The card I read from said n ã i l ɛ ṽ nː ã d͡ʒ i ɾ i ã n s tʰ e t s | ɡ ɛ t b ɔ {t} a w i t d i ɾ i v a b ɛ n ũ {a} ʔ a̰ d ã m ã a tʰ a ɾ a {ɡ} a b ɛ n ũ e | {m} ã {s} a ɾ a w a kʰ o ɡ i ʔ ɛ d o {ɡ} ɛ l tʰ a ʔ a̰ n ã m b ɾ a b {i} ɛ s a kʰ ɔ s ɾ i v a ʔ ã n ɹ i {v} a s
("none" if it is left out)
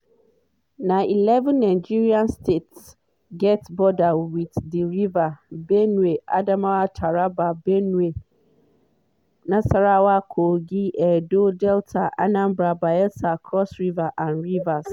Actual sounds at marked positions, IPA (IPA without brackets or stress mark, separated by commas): d, e, b, n, s, d, a, v